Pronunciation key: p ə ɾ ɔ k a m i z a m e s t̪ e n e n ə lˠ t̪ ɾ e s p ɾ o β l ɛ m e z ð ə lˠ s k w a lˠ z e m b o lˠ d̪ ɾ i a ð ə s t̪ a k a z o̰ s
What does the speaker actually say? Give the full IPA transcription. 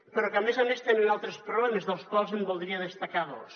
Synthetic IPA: p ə ɾ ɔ k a m e z a m e s t̪ e n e n a lˠ t̪ ɾ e s p ɾ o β l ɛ m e z ð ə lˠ s k w a lˠ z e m b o lˠ d̪ ɾ i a ð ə s t̪ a k a ð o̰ s